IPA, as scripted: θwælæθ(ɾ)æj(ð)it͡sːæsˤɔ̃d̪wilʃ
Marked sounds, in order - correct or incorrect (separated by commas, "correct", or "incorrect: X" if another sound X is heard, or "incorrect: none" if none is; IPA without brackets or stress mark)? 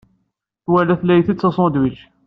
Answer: incorrect: l, incorrect: θ